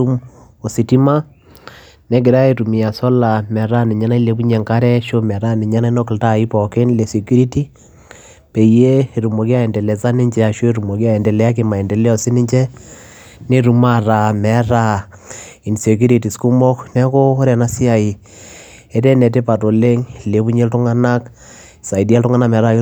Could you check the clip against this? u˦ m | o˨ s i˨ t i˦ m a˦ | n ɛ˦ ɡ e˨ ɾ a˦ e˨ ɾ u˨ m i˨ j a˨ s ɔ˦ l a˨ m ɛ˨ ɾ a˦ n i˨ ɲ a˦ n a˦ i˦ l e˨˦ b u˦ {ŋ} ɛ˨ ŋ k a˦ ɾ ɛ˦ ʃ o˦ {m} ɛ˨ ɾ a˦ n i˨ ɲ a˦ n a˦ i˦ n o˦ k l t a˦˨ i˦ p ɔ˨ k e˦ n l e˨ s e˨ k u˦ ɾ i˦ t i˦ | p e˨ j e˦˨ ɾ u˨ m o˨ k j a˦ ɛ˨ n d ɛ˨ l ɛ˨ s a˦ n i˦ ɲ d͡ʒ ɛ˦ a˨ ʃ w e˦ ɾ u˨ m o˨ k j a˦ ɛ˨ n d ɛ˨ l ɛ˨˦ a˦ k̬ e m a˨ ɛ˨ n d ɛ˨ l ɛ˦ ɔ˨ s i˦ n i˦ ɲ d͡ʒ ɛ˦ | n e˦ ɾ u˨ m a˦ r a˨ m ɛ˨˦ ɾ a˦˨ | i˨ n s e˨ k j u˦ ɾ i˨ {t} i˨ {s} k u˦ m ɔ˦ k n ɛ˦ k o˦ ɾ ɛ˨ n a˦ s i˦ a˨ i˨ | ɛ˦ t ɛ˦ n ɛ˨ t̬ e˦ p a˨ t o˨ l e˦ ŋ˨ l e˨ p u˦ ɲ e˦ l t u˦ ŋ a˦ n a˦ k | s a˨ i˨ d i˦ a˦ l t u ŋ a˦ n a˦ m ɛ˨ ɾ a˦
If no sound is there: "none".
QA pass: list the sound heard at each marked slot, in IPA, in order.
ɲ, m, t, s

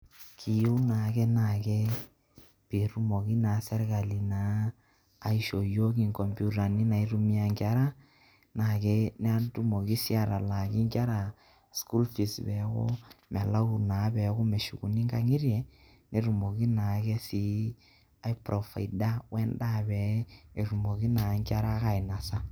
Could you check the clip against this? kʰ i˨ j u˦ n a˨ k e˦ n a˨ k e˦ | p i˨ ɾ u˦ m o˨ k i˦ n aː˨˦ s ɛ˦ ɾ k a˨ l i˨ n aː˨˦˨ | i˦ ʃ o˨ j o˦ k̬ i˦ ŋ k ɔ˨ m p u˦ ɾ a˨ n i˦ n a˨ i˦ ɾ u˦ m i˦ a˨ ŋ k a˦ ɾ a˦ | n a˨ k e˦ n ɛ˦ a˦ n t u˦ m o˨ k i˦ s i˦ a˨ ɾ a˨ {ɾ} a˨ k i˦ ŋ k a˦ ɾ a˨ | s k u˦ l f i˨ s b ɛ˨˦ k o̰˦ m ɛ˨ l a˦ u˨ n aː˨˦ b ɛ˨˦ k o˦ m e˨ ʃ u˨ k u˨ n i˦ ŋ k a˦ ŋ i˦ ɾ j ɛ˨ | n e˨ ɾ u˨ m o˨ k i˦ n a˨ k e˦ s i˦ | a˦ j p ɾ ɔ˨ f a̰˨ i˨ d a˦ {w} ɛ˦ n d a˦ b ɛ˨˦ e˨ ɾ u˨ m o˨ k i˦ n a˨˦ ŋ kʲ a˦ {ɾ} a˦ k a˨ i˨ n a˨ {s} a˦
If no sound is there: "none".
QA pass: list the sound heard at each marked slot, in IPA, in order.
l, w, ɾ, s

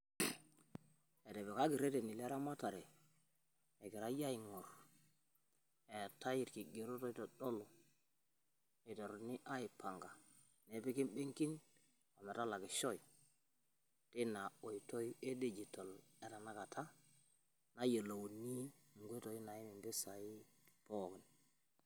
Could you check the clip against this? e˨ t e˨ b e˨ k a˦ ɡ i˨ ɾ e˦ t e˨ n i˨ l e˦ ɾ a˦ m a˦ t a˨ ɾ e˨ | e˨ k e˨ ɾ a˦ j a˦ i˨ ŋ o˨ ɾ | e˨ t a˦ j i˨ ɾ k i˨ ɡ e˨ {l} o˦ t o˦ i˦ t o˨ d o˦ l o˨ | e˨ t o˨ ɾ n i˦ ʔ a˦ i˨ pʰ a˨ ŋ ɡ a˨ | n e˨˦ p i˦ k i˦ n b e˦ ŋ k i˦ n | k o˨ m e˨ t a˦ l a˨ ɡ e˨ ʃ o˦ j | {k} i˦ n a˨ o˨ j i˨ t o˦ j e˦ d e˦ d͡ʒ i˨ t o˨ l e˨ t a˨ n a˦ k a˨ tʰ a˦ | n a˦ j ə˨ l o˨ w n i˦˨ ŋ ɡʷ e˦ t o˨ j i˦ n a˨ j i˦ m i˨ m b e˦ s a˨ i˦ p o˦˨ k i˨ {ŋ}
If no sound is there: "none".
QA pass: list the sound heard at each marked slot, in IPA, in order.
ɾ, t, n

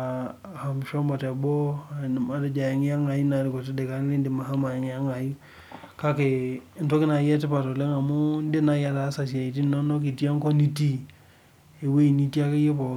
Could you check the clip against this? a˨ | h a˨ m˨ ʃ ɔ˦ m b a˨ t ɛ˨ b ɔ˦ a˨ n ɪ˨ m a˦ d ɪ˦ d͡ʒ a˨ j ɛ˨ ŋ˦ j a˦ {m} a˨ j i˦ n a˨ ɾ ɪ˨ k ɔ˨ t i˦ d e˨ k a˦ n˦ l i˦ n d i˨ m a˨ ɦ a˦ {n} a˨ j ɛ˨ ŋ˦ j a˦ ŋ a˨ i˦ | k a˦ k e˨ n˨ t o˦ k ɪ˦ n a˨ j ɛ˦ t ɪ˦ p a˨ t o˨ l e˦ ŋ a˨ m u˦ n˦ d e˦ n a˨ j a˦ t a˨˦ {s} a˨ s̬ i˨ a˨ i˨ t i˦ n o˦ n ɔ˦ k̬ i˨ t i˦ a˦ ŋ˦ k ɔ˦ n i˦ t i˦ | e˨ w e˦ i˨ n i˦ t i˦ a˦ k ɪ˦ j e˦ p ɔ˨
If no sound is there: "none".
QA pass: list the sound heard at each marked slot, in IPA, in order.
ŋ, m, s

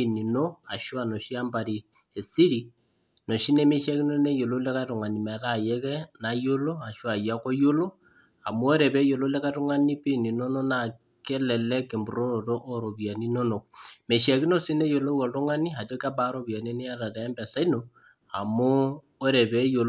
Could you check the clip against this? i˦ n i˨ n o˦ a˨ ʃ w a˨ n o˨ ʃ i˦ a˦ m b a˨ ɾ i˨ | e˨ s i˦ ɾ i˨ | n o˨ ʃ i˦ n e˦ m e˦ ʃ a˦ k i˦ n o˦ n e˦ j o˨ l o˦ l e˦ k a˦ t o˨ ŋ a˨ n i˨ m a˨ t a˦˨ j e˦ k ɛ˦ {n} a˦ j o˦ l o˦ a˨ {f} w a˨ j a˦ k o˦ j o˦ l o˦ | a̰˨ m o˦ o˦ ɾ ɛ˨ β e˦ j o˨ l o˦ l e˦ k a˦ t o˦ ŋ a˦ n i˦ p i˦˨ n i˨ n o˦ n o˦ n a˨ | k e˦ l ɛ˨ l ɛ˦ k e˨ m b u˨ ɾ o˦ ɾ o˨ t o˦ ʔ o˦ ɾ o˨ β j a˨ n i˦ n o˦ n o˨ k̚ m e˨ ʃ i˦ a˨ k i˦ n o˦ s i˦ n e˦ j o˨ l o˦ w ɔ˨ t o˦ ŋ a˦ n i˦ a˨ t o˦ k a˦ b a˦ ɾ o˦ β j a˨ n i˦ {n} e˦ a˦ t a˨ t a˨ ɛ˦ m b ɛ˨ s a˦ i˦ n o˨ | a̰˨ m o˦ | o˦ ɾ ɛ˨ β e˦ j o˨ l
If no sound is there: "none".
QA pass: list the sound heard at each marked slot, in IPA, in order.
n, ʃ, n

